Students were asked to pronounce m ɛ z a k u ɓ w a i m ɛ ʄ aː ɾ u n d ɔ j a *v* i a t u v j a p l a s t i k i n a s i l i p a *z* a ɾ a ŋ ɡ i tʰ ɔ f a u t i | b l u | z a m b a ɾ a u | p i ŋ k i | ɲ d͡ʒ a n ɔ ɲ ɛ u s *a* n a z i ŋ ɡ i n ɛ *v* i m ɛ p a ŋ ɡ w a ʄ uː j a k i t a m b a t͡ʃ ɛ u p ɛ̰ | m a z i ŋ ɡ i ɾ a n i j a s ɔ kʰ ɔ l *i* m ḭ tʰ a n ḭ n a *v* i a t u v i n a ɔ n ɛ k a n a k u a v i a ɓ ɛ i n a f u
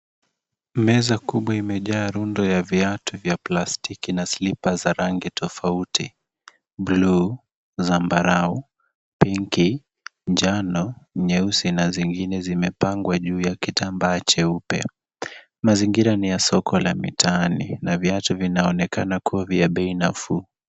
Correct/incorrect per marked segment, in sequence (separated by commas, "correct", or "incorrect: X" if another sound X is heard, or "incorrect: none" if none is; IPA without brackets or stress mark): correct, correct, incorrect: i, incorrect: z, incorrect: a, correct